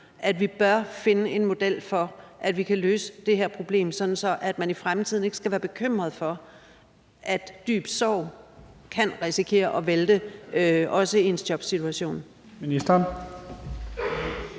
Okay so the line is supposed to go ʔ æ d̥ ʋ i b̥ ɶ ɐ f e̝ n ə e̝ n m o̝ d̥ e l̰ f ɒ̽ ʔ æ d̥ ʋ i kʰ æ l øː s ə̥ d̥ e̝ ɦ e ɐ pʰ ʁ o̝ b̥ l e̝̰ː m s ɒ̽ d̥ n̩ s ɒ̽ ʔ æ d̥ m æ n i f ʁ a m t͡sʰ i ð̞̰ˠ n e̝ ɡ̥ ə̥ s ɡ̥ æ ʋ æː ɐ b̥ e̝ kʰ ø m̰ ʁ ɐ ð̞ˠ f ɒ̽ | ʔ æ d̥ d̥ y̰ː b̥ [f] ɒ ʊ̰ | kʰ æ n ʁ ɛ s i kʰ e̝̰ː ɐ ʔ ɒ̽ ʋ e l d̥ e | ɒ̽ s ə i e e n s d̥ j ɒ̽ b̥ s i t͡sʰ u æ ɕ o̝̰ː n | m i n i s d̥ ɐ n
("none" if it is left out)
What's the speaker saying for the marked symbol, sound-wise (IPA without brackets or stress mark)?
s